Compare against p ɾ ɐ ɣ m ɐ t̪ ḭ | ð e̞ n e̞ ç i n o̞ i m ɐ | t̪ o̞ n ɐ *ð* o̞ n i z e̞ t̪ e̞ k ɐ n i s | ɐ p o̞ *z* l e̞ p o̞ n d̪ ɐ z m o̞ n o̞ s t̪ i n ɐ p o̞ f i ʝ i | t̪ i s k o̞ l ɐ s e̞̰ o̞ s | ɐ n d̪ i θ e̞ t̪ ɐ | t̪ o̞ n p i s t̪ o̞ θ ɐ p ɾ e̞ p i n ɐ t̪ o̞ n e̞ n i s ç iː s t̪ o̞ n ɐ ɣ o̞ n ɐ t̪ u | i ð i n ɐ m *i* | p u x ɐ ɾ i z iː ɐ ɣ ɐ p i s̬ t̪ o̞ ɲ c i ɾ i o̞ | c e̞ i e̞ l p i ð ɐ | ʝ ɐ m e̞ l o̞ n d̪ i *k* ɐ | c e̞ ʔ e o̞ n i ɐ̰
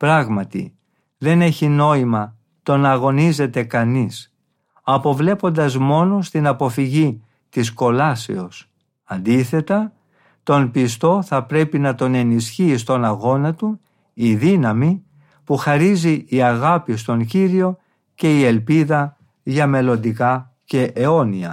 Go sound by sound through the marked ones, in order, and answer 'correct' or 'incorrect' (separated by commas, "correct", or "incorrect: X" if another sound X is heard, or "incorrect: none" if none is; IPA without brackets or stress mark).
incorrect: ɣ, incorrect: v, correct, correct